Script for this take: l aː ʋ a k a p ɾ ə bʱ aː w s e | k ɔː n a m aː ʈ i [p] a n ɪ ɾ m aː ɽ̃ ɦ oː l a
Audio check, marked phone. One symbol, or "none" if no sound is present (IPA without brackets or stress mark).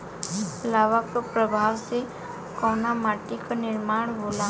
k